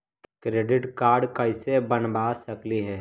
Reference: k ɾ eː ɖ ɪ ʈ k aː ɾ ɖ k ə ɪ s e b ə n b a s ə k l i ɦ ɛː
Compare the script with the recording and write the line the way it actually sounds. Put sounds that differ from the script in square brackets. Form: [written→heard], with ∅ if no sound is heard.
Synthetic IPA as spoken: k ɾ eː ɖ ɪ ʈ k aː ɾ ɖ k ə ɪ s e b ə n b a s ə k l i ɦ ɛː